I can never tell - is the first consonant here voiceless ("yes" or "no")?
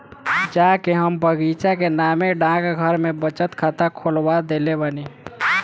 no